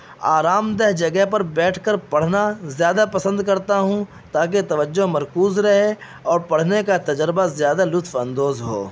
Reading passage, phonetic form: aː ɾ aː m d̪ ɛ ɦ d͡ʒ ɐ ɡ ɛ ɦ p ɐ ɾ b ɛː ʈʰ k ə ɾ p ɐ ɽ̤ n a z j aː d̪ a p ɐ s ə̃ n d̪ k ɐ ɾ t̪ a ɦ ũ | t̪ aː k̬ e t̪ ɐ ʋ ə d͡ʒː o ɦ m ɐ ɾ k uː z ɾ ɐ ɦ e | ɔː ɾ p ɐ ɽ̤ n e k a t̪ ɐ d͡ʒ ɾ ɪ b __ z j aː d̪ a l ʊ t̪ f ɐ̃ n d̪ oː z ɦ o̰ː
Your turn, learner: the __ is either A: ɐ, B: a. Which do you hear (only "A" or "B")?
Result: B